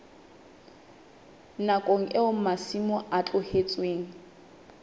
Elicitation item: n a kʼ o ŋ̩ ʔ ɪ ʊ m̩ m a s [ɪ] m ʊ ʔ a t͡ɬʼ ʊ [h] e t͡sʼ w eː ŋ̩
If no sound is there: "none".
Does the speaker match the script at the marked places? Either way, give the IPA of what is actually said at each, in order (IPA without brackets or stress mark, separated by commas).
i, h